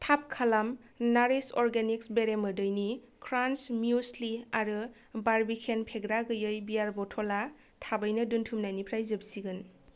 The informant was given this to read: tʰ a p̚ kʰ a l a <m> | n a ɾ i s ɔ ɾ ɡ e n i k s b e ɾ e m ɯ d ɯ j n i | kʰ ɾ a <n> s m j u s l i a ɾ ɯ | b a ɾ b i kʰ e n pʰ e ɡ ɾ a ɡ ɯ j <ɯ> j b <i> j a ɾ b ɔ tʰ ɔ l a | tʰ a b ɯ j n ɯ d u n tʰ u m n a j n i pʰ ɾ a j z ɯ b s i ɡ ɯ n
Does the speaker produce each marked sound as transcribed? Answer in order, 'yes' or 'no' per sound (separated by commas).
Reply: yes, yes, yes, yes